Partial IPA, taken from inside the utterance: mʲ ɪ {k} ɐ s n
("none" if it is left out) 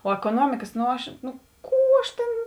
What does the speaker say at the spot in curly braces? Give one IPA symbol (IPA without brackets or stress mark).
k